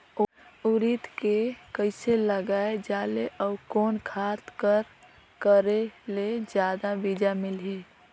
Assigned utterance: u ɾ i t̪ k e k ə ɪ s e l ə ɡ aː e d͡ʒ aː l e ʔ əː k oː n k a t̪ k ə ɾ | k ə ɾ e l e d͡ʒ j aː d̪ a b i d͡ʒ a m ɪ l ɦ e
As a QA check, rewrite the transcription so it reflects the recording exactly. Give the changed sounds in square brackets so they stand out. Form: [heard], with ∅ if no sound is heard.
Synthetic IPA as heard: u ɾ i t̪ k e k ə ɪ s e l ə ɡ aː e d͡ʒ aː l e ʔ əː k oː n [kʰ] a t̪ k ə ɾ | k ə ɾ e l e d͡ʒ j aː d̪ a b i d͡ʒ a m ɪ l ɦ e